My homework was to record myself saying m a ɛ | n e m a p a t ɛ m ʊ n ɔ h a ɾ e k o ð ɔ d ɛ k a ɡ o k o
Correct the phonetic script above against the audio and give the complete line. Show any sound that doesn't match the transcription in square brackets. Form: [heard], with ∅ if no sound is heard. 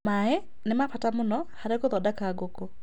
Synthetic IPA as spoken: m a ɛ | n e m a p a t [a] m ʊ n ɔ h a ɾ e k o ð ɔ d [a] k a ɡ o k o